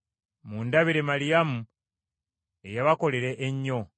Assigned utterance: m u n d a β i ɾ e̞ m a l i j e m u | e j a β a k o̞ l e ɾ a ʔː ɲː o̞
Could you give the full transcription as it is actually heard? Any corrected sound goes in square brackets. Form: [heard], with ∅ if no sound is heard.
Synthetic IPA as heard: m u n d a β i ɾ e̞ m a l i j [a] m u | e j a β a k o̞ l e ɾ [e] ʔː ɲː o̞

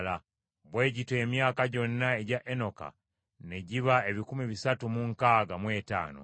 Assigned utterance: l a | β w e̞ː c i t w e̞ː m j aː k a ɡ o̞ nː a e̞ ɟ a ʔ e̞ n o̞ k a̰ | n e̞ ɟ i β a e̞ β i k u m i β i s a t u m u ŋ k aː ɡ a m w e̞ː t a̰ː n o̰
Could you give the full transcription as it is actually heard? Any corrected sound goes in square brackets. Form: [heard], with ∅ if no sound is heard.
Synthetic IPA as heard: l a | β w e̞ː [ɟ] i t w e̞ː m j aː k a [ɟ] o̞ nː a e̞ ɟ a ʔ e̞ n o̞ k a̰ | n e̞ ɟ i β a e̞ β i k u m i β i s a t u m u ŋ k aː ɡ a m w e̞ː t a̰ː n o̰

